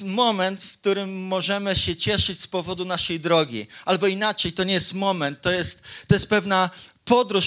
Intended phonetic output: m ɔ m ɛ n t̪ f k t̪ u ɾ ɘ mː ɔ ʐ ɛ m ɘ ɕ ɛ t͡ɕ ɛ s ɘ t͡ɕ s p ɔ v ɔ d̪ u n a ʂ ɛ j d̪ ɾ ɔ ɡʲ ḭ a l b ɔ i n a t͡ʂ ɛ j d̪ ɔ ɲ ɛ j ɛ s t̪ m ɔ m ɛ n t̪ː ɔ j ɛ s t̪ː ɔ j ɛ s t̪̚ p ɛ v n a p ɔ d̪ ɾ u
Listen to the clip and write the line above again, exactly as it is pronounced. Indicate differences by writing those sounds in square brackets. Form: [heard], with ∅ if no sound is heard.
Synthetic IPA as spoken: m ɔ m ɛ n t̪ f k t̪ u ɾ ɘ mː ɔ ʐ ɛ m ɘ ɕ ɛ t͡ɕ ɛ [ʂ] ɘ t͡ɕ s p ɔ v ɔ d̪ u n a ʂ ɛ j d̪ ɾ ɔ ɡʲ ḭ a l b ɔ i n a t͡ʂ ɛ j [t̪] ɔ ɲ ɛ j ɛ s t̪ m ɔ m ɛ n t̪ː ɔ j ɛ s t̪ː ɔ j ɛ s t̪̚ p ɛ v n a p ɔ d̪ ɾ u